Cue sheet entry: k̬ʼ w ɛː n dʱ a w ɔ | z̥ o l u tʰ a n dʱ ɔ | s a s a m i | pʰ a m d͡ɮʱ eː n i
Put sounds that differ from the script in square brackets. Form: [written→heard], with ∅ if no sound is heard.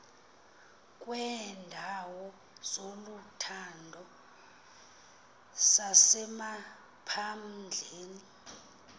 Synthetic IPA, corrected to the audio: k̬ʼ w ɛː n dʱ a w ɔ | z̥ o l u tʰ a n dʱ ɔ | s a s [a→ɛ] m [i→a] | pʰ a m d͡ɮʱ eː n i